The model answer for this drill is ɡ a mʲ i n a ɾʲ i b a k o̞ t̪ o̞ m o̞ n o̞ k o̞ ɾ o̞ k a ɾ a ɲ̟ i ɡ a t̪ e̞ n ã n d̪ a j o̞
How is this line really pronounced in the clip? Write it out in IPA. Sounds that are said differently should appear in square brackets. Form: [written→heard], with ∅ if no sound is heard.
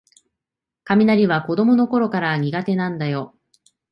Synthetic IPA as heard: [ɡ→k] a mʲ i n a ɾʲ i [b→β] a k o̞ [t̪→d̪] o̞ m o̞ n o̞ k o̞ ɾ o̞ k a ɾ a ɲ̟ i ɡ a t̪ e̞ n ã n d̪ a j o̞